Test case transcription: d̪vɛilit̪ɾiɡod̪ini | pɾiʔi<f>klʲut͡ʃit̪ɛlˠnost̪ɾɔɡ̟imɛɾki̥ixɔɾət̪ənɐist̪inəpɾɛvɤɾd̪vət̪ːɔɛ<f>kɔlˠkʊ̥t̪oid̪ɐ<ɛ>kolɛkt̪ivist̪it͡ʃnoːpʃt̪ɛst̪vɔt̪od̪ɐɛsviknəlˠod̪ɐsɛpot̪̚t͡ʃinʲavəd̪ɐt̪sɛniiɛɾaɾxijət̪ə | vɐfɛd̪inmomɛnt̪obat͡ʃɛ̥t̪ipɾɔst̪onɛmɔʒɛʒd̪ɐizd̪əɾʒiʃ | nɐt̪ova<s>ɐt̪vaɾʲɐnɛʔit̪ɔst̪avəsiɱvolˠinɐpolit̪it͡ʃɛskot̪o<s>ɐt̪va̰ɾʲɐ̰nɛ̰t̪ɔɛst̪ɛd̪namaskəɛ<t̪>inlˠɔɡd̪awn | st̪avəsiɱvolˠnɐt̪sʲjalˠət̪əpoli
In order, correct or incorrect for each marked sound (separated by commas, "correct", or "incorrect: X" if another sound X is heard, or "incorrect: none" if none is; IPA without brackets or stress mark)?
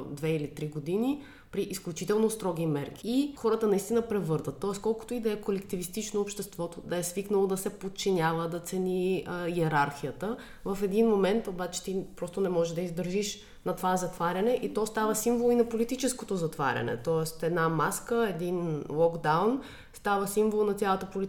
incorrect: s, incorrect: s, correct, incorrect: z, incorrect: z, incorrect: d̪